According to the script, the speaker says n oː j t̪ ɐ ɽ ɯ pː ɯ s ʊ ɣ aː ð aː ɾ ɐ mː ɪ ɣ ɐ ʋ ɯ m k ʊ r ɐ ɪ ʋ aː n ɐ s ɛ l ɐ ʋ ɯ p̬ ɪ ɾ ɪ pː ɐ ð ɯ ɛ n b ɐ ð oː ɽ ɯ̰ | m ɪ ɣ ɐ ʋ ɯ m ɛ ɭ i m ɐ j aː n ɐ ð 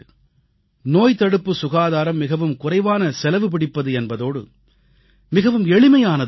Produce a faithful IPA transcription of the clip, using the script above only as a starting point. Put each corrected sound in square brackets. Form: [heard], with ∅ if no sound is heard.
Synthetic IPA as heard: n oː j t̪ ɐ ɽ ɯ pː ɯ s ʊ ɣ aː ð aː ɾ ɐ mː ɪ ɣ ɐ ʋ ɯ m k ʊ r ɐ ɪ ʋ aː n ɐ s ɛ l ɐ ʋ ɯ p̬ ɪ [ɽ] ɪ pː ɐ ð ɯ ɛ n b ɐ ð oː ɽ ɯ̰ | m ɪ ɣ ɐ ʋ ɯ m ɛ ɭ [ɪ] m ɐ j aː n ɐ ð